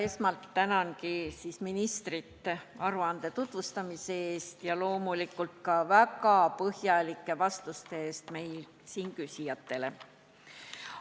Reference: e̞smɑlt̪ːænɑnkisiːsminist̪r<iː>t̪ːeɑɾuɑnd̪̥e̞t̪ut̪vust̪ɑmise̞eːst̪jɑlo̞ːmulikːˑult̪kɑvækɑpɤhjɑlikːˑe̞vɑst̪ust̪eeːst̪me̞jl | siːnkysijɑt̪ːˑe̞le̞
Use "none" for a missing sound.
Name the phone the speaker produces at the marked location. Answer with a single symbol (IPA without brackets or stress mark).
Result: i